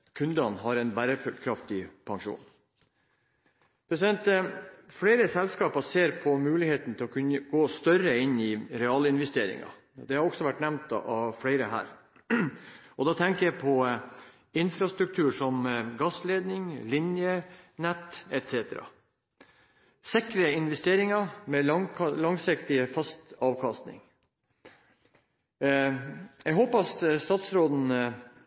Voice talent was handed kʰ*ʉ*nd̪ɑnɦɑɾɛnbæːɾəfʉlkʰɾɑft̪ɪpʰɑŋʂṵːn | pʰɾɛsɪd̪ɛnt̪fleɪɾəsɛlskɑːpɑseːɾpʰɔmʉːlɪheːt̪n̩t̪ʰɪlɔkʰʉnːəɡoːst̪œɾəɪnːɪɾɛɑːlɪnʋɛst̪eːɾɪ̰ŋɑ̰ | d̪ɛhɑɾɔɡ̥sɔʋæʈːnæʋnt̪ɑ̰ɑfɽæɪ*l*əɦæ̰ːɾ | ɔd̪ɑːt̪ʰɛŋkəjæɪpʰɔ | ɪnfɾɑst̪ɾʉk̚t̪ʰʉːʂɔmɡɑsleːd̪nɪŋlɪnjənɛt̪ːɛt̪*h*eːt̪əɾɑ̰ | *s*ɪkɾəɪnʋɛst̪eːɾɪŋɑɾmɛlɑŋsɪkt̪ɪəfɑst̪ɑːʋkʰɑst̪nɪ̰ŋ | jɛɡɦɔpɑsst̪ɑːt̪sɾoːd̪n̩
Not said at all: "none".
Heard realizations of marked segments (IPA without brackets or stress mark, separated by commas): ʉ, ɾ, s, s